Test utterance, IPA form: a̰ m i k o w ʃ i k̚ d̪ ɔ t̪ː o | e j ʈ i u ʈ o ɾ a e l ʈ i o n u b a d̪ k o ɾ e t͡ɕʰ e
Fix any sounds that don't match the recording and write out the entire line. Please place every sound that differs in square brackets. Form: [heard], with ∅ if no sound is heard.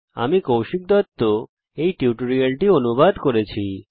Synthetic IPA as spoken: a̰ m i k o w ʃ i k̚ d̪ ɔ t̪ː o | e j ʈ i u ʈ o ɾ [i] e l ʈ i o n u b a d̪ k o ɾ e t͡ɕʰ [i]

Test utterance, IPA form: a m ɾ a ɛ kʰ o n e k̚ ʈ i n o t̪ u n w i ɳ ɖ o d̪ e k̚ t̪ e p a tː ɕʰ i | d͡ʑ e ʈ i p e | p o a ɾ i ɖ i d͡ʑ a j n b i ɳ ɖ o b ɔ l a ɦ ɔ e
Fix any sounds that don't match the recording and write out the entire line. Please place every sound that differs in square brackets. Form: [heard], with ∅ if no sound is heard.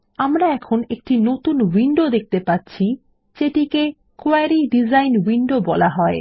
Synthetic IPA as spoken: a m ɾ a ɛ kʰ o n e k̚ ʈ i n o t̪ u n w i ɳ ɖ o d̪ e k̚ t̪ e p a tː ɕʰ i | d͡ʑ e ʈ i [k] e | [k] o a ɾ i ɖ i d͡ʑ a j n [w] i ɳ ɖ o b ɔ l a ɦ ɔ e

